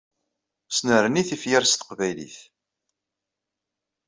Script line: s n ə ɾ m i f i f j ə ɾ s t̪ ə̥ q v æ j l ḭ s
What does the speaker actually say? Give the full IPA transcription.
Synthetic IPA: s n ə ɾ n i θ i f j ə ɾ s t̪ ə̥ q v æ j l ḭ θ